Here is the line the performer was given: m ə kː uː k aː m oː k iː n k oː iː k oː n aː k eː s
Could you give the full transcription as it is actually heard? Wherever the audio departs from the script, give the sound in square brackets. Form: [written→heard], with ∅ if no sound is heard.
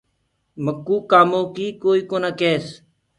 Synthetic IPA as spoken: m ə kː uː k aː m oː k iː [n→∅] k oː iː k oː n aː k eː s